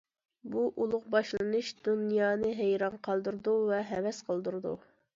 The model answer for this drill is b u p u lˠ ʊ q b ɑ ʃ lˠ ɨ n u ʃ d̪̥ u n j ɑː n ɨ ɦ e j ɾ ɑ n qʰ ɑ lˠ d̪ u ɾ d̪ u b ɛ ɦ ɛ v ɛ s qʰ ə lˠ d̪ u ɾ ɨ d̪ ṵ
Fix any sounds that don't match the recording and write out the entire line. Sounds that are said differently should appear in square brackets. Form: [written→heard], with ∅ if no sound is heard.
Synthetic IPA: b u [p→ʔ] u lˠ ʊ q b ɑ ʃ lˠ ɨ n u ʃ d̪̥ u n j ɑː n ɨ ɦ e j ɾ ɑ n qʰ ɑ lˠ d̪ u ɾ d̪ u [b→v] ɛ ɦ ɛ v ɛ s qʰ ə lˠ d̪ u ɾ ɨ d̪ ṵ